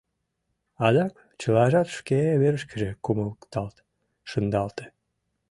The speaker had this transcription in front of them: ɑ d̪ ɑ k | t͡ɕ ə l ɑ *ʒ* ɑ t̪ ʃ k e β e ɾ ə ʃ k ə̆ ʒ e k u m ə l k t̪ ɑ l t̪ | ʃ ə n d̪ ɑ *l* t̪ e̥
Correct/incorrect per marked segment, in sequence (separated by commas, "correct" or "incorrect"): correct, correct